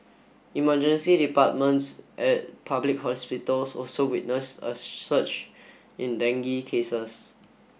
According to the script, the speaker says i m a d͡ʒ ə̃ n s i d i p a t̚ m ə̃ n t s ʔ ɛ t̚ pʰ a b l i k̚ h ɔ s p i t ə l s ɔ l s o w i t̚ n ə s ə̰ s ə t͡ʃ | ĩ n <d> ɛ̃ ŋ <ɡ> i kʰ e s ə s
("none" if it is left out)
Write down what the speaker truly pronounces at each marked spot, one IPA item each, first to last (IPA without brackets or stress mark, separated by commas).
d, ɡ